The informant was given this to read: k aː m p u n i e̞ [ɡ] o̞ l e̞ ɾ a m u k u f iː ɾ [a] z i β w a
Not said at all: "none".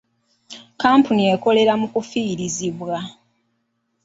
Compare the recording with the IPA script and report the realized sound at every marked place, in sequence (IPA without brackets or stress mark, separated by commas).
k, i